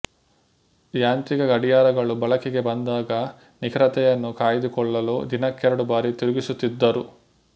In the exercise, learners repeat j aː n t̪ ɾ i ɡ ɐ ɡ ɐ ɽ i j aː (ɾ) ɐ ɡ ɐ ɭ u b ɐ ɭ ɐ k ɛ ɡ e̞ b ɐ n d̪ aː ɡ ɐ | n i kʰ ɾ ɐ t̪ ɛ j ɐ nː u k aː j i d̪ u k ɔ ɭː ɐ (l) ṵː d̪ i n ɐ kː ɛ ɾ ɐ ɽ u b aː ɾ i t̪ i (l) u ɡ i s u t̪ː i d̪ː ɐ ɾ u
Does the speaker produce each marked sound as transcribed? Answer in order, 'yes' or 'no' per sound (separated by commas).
yes, yes, no